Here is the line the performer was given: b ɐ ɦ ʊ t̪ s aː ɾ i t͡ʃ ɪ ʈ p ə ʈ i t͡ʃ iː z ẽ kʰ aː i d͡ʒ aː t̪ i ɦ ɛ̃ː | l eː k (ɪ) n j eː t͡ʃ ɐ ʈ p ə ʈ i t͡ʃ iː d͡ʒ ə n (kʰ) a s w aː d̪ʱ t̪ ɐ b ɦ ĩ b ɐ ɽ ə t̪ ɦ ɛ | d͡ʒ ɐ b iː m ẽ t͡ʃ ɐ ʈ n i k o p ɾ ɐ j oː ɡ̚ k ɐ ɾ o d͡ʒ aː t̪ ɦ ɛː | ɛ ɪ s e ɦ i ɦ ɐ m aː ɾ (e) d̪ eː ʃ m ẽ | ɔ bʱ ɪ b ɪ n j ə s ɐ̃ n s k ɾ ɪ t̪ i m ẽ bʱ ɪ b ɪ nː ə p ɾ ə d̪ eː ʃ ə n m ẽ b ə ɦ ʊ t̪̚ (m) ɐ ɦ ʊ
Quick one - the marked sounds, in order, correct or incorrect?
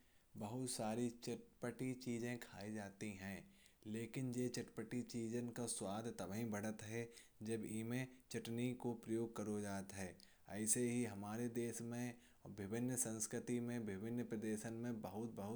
correct, incorrect: k, correct, incorrect: b

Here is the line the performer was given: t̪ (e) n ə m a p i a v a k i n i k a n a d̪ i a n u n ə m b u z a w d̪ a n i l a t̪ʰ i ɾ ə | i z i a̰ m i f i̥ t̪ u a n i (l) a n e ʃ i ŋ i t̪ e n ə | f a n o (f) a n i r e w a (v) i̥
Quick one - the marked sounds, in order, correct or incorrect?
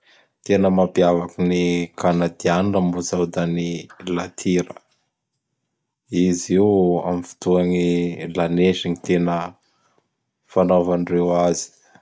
correct, correct, incorrect: v, incorrect: z

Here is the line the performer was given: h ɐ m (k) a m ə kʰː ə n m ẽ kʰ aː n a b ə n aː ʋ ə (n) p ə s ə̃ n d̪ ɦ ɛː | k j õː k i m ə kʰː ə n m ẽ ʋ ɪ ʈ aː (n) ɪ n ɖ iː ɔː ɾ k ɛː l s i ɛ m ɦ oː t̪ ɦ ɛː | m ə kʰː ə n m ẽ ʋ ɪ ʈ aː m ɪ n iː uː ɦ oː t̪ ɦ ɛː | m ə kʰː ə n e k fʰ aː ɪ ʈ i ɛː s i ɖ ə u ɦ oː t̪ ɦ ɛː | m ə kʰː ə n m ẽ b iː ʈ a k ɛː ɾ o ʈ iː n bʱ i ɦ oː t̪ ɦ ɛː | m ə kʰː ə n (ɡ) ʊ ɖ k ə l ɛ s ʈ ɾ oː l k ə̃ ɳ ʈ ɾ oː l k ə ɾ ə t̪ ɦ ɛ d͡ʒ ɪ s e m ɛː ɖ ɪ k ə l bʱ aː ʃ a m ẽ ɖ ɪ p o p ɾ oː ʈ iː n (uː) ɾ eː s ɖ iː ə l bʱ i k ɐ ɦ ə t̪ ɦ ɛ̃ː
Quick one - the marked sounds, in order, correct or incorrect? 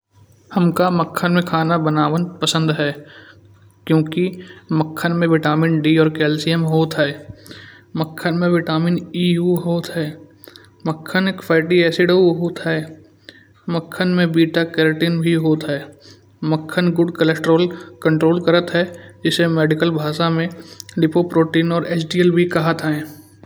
correct, correct, incorrect: m, correct, incorrect: ɔː

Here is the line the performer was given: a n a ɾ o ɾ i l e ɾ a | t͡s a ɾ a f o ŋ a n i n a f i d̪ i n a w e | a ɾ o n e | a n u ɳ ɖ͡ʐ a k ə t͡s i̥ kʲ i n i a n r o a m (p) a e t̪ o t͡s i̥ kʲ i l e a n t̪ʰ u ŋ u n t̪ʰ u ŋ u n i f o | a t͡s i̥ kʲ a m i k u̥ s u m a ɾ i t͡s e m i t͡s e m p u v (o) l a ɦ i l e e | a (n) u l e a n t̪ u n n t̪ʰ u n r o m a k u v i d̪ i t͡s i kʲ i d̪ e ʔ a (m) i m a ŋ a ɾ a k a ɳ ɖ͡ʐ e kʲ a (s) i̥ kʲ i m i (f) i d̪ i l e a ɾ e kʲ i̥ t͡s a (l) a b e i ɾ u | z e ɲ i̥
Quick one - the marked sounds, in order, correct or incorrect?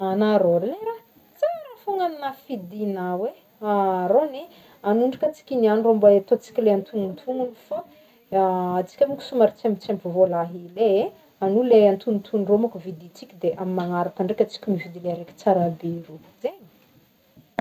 incorrect: b, correct, correct, correct, incorrect: t͡s, incorrect: v, incorrect: ɾ

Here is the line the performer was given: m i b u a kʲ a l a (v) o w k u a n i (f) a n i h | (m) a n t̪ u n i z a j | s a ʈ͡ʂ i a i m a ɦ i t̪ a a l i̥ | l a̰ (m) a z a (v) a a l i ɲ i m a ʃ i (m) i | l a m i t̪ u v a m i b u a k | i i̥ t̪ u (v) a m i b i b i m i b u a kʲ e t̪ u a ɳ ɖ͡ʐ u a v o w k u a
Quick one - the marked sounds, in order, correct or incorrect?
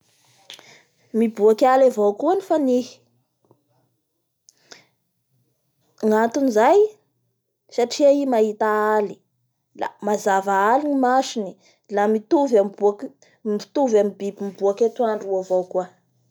correct, correct, incorrect: ŋ, correct, correct, incorrect: n, correct

